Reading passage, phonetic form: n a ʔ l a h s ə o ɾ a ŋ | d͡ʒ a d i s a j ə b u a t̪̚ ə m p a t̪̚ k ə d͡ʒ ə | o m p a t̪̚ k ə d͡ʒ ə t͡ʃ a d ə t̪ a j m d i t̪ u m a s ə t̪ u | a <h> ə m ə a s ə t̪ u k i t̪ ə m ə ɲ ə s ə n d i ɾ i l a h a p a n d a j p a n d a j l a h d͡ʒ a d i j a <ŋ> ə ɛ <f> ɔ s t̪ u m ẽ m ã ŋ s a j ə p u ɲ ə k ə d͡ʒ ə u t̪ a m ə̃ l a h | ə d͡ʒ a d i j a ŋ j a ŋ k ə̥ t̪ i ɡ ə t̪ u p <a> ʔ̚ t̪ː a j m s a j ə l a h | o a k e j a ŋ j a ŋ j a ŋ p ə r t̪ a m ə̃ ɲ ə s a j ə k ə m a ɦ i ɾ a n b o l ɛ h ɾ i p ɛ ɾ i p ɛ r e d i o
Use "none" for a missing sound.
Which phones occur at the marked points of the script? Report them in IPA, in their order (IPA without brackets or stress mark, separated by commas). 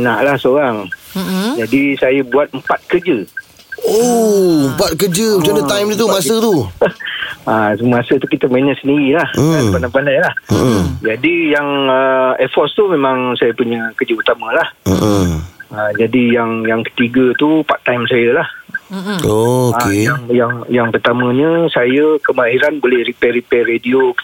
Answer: s, ŋ, f, a